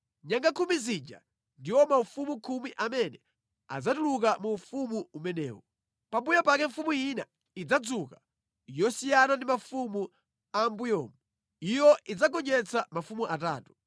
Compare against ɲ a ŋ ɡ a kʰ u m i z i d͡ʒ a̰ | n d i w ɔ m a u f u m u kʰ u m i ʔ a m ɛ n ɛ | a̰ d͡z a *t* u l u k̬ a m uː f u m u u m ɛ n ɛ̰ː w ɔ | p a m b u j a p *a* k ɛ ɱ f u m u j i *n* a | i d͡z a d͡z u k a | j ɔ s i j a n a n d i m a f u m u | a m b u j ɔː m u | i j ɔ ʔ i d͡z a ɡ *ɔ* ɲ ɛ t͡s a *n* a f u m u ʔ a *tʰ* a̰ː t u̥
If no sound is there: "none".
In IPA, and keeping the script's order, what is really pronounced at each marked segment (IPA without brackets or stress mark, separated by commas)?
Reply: t, a, n, ɔ, m, t